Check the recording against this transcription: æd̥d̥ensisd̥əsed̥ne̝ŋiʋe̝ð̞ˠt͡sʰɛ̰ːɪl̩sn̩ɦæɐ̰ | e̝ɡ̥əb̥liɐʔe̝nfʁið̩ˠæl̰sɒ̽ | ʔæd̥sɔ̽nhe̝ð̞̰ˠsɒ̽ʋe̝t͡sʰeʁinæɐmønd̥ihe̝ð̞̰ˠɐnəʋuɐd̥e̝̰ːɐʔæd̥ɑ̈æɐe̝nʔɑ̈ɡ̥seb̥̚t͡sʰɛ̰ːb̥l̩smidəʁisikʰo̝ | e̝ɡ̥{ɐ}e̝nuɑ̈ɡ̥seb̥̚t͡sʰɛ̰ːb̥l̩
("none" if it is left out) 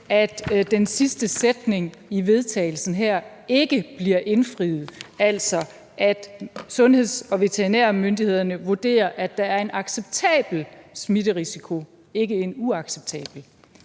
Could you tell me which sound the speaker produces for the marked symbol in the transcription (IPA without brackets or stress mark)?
ə